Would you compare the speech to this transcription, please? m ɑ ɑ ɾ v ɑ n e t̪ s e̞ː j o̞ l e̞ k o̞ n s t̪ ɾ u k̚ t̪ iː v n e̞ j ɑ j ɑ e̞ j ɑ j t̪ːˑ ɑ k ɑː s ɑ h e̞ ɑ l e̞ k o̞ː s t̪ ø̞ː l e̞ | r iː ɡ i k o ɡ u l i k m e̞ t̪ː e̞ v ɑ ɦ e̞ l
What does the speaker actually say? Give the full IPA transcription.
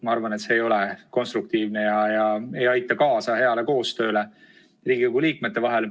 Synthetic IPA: m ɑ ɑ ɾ v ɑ n e t̪ s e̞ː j o̞ l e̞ k o̞ n s t̪ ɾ u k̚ t̪ iː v n e̞ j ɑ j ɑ e̞ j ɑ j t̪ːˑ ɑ k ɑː s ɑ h e̞ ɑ l e̞ k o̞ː s t̪ ø̞ː l e̞ | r iː ɡ i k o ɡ u l iː k m e̞ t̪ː e̞ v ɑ ɦ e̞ l